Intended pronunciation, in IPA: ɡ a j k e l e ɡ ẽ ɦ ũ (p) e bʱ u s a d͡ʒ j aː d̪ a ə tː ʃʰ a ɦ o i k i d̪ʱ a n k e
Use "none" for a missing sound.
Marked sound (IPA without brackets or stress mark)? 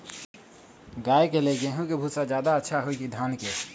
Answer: k